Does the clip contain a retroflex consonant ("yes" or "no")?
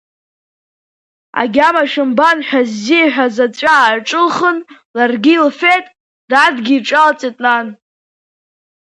yes